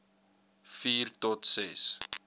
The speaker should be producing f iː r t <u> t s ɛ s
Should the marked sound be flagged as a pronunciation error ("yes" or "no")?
yes